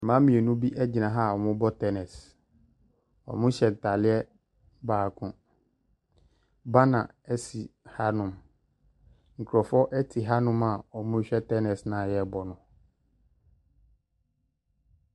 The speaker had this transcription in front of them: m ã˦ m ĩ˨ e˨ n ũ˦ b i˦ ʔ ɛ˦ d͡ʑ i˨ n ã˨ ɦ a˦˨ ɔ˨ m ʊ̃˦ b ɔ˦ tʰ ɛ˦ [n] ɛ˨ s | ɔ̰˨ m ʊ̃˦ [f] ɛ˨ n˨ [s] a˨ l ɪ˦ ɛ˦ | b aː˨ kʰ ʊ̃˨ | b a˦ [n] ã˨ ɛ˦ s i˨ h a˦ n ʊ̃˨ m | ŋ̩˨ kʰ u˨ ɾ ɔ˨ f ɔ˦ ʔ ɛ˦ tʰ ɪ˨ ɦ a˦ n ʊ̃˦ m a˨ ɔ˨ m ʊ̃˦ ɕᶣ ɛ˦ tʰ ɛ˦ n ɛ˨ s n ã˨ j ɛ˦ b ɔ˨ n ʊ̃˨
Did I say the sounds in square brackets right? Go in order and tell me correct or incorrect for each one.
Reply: correct, incorrect: ɕ, incorrect: t, correct

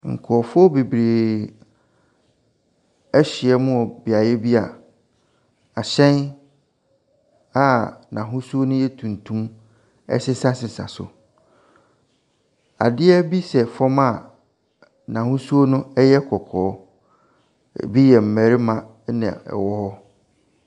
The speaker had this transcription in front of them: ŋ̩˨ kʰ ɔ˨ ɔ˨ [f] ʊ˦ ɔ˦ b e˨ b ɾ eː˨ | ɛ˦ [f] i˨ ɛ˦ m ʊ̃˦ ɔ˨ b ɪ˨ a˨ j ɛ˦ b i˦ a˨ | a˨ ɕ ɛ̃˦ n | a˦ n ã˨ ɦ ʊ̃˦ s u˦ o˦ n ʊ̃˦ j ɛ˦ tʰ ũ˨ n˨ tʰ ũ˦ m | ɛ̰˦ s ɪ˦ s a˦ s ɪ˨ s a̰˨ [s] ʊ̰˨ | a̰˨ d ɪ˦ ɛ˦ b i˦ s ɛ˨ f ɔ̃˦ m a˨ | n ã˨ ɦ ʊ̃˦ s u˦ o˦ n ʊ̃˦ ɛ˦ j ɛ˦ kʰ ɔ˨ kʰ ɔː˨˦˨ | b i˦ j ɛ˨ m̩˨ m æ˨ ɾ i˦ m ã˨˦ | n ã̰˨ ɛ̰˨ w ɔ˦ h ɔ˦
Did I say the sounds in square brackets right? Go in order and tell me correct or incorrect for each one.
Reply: correct, incorrect: ɕ, correct

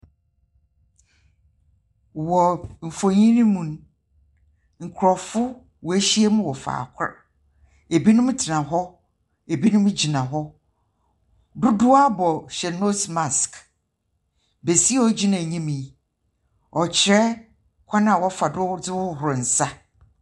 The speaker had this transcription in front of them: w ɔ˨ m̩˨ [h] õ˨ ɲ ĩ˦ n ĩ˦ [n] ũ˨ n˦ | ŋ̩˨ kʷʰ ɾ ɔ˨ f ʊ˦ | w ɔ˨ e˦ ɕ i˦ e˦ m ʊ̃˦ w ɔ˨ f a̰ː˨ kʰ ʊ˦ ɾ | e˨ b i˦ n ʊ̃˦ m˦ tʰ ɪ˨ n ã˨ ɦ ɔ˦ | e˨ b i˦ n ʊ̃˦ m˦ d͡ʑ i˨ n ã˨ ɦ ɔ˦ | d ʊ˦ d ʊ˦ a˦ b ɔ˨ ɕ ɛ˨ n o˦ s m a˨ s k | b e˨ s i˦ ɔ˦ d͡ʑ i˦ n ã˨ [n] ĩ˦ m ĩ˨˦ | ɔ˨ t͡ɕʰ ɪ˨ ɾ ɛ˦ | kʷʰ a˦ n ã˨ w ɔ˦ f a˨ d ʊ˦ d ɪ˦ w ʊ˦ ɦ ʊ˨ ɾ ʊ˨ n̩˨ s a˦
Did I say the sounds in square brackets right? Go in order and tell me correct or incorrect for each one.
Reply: incorrect: f, incorrect: m, incorrect: ɲ

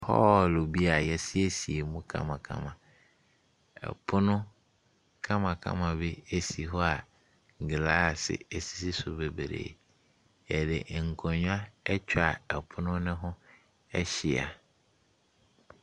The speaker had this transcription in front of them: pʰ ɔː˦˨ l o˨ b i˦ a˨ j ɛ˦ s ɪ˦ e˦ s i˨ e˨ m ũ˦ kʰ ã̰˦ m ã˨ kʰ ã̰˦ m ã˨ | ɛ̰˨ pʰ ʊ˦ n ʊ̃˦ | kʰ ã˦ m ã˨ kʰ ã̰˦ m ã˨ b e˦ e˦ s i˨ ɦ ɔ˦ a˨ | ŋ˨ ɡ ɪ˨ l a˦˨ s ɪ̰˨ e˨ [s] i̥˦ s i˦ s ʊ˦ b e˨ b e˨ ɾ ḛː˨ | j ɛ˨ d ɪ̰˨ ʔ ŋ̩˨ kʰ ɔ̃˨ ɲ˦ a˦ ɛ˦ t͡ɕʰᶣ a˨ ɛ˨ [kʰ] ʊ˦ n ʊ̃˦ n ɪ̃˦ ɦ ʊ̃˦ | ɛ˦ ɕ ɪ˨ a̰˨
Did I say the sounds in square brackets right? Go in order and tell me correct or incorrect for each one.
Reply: correct, incorrect: pʰ

